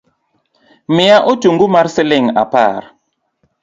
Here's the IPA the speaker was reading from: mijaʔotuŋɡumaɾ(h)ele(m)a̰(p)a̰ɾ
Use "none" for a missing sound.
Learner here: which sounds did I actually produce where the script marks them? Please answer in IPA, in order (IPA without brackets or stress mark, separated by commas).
s, ŋ, p